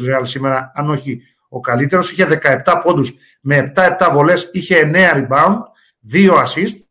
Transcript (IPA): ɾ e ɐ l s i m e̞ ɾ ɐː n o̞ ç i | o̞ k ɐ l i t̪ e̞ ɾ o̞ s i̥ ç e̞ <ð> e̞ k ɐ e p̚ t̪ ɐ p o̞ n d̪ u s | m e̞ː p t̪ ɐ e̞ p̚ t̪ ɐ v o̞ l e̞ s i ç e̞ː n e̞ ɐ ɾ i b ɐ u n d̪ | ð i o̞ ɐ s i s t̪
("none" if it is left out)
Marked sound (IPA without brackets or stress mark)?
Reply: ð